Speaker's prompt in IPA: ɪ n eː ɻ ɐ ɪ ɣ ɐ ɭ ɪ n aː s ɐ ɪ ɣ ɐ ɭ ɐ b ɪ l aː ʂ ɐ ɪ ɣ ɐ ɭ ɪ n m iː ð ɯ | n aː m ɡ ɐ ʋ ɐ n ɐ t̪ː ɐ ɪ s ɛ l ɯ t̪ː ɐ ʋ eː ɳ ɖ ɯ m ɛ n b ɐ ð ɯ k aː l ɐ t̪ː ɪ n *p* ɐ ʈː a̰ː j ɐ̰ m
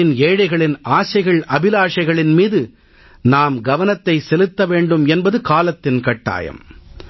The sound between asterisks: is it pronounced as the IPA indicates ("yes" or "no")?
no